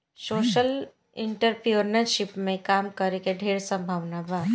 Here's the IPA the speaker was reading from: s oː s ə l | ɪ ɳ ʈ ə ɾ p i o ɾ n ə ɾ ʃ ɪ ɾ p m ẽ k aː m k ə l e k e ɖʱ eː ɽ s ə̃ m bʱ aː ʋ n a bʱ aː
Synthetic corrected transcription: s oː ʃ ə l | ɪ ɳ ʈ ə ɾ p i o ɾ n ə ɾ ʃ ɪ p m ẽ k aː m k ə ɾ e k e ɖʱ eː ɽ s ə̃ m bʱ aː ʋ n a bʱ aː